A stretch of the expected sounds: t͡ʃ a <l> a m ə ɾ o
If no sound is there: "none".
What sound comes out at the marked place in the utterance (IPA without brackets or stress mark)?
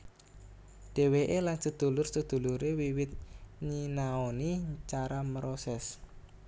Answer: ɾ